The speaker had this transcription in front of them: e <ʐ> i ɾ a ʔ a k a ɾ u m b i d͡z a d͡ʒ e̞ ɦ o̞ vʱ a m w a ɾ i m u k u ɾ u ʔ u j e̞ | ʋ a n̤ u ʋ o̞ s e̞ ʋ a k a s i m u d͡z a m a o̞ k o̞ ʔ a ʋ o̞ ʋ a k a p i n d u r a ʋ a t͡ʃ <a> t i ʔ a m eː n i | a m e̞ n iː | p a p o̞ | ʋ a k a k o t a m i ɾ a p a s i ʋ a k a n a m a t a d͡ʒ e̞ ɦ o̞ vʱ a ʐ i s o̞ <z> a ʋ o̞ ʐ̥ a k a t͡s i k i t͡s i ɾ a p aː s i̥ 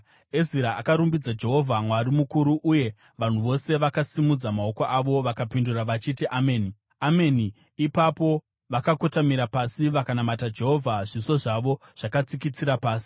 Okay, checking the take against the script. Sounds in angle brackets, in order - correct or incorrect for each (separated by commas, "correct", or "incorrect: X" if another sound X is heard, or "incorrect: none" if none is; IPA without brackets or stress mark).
incorrect: z, incorrect: i, incorrect: ʐ